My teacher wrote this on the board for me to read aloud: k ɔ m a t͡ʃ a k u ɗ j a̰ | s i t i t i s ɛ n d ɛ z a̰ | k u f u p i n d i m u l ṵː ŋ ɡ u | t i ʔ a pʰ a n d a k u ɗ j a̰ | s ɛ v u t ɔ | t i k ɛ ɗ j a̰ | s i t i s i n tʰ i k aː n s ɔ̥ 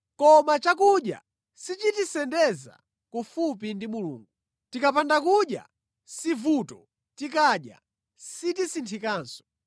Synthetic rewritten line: k ɔ m a t͡ʃ a k u ɗ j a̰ | s i t͡ʃ i t i s ɛ n d ɛ z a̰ | k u f u p i n d i m u l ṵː ŋ ɡ u | t i k a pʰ a n d a k u ɗ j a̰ | s i v u t ɔ | t i k a ɗ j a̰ | s i t i s i n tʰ i k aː n s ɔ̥